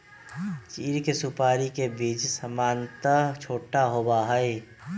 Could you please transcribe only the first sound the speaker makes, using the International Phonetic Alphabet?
t͡ʃ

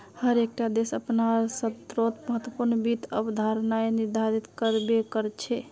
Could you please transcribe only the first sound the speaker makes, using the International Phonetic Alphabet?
h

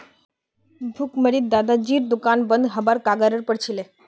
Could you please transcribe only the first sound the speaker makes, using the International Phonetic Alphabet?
bʱ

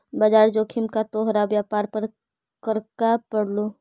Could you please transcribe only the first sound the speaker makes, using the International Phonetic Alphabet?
b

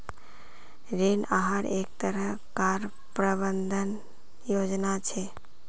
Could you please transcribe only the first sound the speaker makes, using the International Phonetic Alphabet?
ɾ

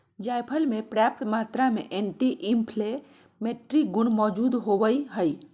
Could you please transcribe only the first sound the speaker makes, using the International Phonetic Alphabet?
d͡ʒ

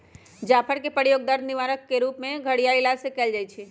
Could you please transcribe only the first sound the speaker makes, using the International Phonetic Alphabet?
d͡ʒ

